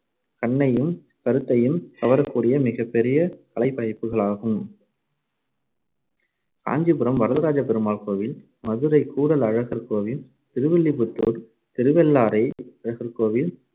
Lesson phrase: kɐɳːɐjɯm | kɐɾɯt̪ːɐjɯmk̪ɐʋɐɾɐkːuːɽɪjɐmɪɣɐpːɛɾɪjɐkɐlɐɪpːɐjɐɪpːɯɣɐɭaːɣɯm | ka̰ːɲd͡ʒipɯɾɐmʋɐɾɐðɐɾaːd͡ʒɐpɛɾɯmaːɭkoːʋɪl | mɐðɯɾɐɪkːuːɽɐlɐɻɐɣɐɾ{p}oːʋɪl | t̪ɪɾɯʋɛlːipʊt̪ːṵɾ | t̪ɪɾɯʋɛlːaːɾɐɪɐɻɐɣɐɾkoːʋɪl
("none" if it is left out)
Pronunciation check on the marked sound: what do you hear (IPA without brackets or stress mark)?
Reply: k